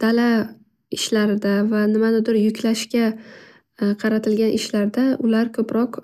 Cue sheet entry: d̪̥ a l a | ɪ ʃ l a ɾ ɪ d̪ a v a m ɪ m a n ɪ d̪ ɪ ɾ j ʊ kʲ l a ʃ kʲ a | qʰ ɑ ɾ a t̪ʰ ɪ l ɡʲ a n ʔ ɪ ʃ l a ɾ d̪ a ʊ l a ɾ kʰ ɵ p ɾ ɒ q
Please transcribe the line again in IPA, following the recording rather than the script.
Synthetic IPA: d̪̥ a l a | ɪ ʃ l a ɾ ɪ d̪ a v a n ɪ m a n ɪ d̪ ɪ ɾ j ʊ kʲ l a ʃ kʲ a | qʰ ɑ ɾ a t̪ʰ ɪ l ɡʲ a n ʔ ɪ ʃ l a ɾ d̪ a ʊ l a ɾ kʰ ɵ p ɾ ɒ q